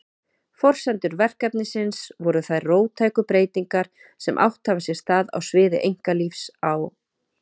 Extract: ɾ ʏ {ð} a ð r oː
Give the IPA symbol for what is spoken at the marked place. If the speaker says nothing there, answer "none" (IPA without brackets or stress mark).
θ